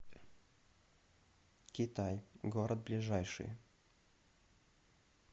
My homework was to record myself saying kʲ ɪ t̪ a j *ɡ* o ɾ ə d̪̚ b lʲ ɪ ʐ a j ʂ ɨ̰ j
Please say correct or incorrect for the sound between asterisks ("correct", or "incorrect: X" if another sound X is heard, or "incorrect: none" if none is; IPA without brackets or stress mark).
correct